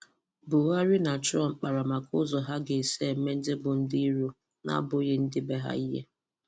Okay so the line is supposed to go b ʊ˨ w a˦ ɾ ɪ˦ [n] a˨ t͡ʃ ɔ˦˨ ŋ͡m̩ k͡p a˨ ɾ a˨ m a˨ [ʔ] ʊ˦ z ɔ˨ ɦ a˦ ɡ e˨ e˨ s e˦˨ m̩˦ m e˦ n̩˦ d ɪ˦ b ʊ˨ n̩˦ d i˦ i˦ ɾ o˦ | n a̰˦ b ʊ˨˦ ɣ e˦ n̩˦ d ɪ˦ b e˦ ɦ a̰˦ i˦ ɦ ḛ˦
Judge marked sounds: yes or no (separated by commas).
yes, no